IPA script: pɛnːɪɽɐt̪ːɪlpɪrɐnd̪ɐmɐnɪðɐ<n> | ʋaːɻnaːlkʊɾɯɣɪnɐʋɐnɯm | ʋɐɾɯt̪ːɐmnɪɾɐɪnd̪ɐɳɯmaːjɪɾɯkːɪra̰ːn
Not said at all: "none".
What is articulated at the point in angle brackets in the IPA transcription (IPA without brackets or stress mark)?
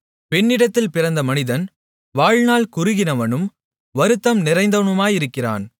n